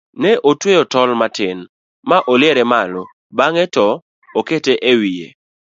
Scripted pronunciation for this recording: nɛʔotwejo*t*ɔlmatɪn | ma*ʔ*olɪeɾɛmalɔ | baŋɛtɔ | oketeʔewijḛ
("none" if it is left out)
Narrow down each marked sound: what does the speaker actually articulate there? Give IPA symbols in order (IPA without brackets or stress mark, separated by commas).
t, ʔ